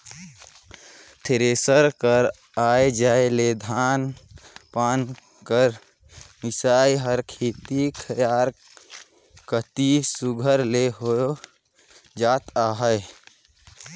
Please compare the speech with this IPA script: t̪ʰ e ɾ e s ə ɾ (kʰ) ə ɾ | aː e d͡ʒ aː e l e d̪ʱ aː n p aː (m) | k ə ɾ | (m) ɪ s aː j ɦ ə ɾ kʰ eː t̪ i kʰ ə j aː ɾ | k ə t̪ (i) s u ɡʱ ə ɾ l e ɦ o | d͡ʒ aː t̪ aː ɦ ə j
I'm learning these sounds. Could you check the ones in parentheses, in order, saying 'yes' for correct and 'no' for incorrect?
no, no, yes, yes

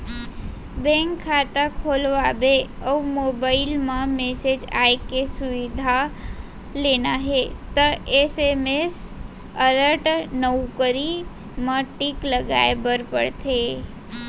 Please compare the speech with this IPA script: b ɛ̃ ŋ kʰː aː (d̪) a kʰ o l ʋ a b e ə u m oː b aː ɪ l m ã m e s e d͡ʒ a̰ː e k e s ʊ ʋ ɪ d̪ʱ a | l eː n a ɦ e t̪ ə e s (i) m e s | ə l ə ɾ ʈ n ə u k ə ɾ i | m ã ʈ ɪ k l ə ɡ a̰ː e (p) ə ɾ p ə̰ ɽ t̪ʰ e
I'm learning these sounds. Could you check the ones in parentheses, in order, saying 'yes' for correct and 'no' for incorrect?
no, no, no

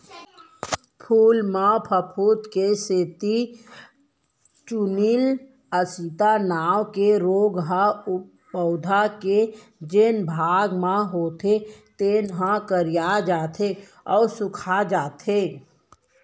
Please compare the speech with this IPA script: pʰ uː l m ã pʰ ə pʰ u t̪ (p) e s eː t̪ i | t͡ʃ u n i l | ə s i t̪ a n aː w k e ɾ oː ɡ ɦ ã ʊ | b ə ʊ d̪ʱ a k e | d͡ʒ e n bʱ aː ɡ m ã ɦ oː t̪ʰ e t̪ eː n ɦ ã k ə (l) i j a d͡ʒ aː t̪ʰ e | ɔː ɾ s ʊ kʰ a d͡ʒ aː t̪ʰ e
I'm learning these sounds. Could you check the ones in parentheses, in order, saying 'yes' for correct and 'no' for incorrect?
no, no

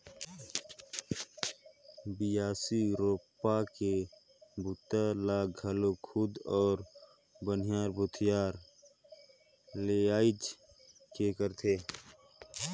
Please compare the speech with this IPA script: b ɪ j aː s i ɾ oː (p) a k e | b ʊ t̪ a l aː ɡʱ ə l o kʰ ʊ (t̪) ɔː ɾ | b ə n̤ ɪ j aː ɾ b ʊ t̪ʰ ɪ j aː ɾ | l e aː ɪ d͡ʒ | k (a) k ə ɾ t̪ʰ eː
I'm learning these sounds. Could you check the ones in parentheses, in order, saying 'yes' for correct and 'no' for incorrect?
yes, no, no

